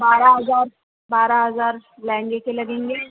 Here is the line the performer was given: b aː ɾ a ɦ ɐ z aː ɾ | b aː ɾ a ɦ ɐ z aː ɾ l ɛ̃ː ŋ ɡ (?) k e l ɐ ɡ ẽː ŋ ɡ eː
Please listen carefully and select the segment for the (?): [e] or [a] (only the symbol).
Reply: e